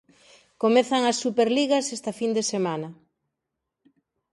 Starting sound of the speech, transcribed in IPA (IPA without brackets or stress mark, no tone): k